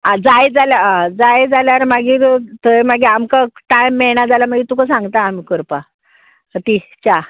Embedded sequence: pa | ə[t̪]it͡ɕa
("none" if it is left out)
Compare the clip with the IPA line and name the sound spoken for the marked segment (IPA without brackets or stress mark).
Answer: t̪